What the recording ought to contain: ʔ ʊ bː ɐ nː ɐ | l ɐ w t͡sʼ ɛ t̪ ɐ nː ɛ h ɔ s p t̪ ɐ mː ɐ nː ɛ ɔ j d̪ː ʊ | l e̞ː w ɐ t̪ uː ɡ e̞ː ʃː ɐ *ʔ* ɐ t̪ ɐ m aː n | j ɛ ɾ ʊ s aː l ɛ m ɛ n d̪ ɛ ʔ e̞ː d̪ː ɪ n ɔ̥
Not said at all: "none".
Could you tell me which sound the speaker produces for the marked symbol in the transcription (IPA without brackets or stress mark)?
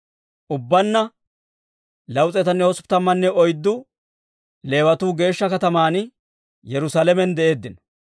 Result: k